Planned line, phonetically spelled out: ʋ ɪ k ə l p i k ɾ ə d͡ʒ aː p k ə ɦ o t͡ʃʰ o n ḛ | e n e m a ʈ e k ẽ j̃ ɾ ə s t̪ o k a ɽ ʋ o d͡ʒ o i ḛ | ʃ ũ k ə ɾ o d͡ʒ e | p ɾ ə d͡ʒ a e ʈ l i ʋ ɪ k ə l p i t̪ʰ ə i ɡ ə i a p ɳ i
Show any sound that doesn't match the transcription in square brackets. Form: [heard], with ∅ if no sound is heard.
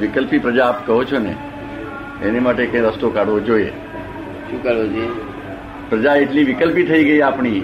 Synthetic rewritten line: ʋ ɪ k ə l p i [p] ɾ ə d͡ʒ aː p k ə ɦ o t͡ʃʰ o n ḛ | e n e m a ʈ e k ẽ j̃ ɾ ə s t̪ o k a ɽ ʋ o d͡ʒ o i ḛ | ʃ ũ k ə ɾ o d͡ʒ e | p ɾ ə d͡ʒ a e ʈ l i ʋ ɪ k ə l p i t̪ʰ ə i ɡ ə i a p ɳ i